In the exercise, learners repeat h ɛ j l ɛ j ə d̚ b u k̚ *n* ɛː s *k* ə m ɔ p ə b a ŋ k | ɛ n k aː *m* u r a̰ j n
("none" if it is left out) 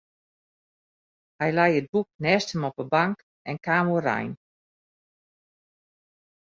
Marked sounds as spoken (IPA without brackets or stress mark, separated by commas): n, t, m